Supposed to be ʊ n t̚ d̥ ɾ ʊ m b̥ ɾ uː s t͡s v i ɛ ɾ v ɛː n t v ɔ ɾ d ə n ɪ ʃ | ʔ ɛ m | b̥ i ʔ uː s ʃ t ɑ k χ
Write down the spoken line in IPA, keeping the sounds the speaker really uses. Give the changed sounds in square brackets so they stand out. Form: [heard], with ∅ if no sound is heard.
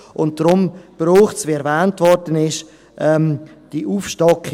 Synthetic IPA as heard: ʊ n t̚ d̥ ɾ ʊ m b̥ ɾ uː [χ] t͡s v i ɛ ɾ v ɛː n t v ɔ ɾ d ə n ɪ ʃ | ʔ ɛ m | [d̥] i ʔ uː [f] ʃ t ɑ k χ